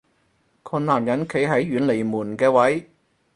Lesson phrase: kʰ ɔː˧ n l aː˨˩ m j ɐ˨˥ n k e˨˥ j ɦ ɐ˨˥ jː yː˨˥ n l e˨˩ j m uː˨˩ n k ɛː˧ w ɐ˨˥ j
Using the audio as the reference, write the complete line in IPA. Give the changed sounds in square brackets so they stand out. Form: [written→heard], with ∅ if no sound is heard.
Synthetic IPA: kʰ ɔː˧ n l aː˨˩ m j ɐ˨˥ n [k→kʰ] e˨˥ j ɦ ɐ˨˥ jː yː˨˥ n l e˨˩ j m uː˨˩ n k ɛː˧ w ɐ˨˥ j

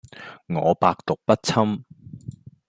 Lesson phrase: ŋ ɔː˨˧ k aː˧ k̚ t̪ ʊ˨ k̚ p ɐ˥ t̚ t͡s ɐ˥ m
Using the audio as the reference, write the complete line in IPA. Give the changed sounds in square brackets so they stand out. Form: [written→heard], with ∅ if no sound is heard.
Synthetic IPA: ŋ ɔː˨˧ [k→p] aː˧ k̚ t̪ ʊ˨ k̚ p ɐ˥ t̚ [t͡s→t͡sʰ] ɐ˥ m

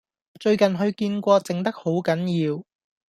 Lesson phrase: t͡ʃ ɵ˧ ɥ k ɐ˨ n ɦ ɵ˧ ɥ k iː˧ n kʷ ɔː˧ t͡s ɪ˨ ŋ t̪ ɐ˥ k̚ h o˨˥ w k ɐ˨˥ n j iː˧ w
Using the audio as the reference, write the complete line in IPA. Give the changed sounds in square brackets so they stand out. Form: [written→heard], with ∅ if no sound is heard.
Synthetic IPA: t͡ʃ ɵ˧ ɥ k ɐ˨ n ɦ ɵ˧ ɥ k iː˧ n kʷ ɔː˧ t͡s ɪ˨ ŋ t̪ ɐ˥ k̚ h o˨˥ w k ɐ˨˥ n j iː˧ w

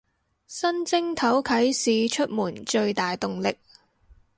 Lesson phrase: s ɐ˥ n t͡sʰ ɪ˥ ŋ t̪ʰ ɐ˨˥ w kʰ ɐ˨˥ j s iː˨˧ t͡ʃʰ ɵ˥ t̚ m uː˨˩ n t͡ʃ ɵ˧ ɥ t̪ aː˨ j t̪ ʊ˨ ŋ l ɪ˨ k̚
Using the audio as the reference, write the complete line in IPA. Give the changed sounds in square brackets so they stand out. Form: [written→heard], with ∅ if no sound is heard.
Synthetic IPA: s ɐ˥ n [t͡sʰ→t͡s] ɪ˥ ŋ t̪ʰ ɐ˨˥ w kʰ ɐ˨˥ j s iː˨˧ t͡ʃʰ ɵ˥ t̚ m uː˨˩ n t͡ʃ ɵ˧ ɥ t̪ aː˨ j t̪ ʊ˨ ŋ l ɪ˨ k̚

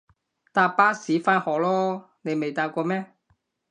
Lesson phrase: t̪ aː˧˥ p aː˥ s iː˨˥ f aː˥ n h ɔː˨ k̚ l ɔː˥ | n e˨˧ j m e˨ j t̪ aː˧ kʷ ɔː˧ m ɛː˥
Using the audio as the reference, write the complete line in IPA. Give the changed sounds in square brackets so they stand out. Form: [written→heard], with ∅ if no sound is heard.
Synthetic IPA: t̪ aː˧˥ p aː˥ s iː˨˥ f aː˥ n h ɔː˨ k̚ l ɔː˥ | n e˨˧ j m e˨ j t̪ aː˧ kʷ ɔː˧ m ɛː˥

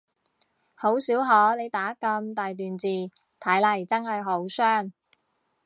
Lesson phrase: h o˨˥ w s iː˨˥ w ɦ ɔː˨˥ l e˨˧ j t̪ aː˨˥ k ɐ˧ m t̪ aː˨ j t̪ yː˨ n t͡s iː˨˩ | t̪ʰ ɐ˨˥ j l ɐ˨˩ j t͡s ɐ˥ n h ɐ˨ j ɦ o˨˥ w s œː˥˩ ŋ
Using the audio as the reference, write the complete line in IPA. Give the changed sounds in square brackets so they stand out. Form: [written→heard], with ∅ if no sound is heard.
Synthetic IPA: h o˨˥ w s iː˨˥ w ɦ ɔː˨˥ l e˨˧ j t̪ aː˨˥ k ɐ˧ m t̪ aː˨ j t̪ yː˨ n t͡s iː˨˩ | t̪ʰ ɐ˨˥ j l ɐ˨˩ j t͡s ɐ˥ n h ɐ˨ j ɦ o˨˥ w s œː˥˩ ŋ

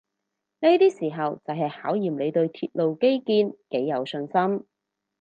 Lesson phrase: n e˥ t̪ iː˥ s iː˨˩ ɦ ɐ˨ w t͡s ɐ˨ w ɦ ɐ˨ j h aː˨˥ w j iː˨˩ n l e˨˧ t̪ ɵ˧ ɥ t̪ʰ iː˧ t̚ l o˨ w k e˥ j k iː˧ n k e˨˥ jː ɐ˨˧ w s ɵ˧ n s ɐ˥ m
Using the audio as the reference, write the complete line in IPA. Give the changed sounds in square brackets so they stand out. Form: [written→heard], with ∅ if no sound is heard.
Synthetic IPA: n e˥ t̪ iː˥ s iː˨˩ ɦ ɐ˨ w t͡s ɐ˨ w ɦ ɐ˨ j h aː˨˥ w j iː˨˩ [n→m] l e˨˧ t̪ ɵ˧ ɥ t̪ʰ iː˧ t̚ l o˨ w k e˥ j k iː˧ n k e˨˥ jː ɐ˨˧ w s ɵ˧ n s ɐ˥ m

